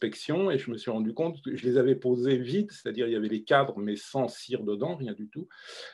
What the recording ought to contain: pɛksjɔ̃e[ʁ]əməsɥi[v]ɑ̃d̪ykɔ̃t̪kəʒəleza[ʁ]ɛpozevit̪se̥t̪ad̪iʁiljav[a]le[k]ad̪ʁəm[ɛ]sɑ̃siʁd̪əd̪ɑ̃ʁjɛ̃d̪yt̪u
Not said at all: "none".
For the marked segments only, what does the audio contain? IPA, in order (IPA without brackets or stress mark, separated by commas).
ʒ, ʁ, v, ɛ, k, ɛ